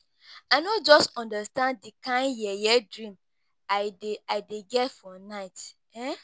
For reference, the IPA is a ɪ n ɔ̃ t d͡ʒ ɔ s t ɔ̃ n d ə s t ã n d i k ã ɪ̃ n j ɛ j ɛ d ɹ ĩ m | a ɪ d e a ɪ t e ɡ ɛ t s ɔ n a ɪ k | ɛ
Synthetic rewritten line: a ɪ n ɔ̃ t d͡ʒ ɔ s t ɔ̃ n d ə s t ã n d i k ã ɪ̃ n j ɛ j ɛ d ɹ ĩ m | a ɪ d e a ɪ d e ɡ ɛ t f ɔ n a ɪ t | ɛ